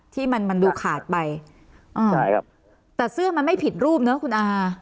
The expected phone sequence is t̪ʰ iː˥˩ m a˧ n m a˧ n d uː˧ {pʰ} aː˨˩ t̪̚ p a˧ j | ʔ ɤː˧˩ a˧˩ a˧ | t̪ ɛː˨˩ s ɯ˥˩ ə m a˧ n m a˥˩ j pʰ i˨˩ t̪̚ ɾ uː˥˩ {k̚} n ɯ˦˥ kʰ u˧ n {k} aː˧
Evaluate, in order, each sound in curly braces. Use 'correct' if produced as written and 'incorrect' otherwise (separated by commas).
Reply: incorrect, incorrect, incorrect